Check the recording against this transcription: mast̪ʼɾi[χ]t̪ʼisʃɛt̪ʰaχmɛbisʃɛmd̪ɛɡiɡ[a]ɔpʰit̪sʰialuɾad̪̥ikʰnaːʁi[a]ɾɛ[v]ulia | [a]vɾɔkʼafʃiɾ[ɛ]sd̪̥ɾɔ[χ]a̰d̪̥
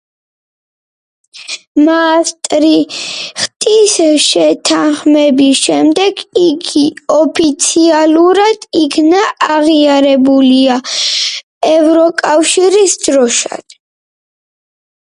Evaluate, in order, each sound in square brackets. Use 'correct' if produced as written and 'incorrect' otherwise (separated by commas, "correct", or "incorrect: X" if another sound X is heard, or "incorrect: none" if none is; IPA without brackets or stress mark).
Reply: correct, incorrect: i, correct, incorrect: b, incorrect: ɛ, incorrect: i, incorrect: ʃ